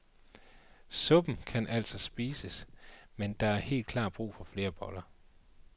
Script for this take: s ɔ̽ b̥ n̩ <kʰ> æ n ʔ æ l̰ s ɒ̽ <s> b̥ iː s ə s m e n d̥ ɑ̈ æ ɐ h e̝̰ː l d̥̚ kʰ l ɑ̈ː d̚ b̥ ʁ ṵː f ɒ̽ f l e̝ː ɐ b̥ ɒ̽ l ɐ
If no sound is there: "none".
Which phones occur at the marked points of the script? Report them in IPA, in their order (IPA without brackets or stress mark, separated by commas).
kʰ, s